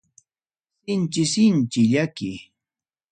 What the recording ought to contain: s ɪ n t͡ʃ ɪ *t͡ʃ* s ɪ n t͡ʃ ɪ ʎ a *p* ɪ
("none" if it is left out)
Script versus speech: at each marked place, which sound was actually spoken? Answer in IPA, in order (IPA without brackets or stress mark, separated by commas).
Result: none, k